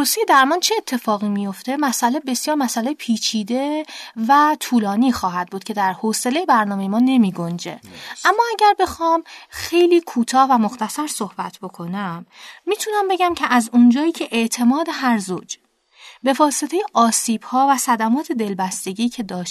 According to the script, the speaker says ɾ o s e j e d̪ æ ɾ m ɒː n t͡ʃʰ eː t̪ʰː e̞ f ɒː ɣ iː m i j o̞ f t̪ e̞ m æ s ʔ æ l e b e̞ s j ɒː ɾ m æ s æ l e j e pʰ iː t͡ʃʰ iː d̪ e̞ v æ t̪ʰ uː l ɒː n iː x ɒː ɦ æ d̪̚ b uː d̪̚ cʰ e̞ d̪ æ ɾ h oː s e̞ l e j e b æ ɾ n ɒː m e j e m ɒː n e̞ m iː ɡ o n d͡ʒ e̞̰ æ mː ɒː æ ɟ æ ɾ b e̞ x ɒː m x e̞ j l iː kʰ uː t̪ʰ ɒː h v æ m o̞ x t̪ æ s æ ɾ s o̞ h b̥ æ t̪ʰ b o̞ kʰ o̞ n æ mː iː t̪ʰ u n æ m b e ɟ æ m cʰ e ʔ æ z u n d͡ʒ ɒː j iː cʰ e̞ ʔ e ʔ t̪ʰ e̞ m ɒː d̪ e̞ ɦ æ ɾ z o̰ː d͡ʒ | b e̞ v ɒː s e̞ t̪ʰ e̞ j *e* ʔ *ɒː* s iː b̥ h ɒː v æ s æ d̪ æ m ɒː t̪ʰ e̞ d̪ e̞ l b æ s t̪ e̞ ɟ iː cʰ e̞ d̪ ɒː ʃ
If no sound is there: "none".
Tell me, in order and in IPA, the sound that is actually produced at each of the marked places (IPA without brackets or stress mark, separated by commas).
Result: e, ɒː